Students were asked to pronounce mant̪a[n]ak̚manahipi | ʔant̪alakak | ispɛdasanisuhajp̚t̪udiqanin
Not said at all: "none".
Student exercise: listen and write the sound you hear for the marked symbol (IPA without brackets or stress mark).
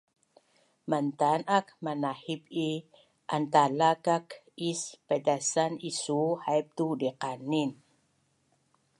n